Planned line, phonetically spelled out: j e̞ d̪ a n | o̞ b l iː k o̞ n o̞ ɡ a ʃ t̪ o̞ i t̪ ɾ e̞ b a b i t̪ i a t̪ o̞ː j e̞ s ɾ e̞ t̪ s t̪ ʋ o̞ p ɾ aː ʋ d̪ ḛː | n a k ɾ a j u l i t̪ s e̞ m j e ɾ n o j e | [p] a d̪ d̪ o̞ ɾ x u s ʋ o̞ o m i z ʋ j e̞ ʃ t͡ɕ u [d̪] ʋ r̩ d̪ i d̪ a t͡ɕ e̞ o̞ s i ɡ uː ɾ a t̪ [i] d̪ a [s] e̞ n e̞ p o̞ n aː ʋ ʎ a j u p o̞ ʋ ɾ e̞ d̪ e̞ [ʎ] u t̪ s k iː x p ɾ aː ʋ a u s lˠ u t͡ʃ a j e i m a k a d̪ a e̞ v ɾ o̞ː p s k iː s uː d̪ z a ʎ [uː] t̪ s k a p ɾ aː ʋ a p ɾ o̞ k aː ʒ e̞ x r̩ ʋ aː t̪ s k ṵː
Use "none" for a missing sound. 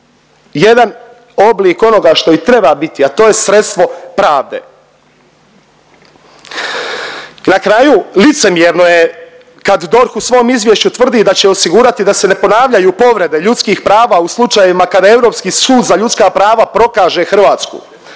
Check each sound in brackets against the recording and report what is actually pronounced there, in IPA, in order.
k, t̪, i, s, ʎ, u

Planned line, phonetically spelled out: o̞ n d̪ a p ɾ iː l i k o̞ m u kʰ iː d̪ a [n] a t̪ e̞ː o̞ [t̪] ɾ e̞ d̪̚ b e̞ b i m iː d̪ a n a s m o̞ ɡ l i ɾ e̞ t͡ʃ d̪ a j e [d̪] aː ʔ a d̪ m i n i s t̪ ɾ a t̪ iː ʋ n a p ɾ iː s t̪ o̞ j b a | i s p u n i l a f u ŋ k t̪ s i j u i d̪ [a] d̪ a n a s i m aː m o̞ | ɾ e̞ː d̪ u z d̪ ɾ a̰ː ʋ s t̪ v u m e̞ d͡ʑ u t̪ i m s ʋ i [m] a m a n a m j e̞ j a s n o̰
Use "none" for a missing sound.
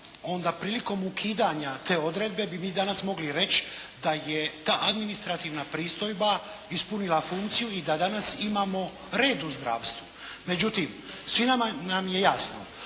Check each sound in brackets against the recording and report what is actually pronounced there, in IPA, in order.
ɲ, d̪, t̪, a, n

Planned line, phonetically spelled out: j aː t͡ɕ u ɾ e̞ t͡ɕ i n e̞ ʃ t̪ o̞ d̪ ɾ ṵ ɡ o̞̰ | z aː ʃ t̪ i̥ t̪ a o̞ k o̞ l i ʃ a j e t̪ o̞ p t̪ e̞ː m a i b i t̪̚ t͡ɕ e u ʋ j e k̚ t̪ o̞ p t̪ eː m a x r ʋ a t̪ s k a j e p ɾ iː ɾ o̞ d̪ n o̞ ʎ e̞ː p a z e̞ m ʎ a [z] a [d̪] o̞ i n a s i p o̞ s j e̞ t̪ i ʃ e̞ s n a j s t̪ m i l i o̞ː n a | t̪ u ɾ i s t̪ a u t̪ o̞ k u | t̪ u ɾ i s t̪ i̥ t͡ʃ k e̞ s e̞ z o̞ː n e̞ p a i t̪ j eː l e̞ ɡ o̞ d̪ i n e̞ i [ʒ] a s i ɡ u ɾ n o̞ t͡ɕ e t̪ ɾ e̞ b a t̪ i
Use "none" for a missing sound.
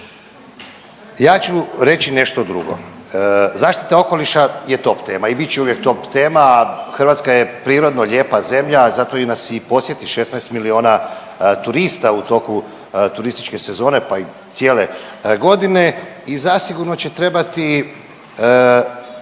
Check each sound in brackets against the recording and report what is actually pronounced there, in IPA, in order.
z, t̪, z

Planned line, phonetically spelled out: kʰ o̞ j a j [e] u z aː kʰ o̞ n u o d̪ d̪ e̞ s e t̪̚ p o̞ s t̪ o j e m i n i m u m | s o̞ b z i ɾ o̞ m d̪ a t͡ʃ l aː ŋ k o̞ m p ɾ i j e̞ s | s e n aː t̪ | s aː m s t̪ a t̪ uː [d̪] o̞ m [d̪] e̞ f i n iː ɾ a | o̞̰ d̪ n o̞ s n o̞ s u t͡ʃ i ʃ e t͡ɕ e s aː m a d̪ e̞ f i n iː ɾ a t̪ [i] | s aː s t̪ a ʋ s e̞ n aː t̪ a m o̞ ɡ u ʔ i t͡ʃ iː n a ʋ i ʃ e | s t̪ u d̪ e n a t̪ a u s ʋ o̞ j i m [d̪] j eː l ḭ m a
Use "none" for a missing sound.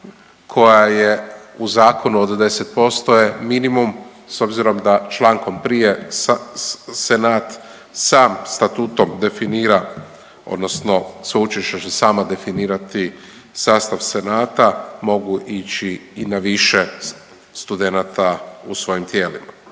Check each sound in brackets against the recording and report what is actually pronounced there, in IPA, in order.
e, t̪, d̪, i, t̪

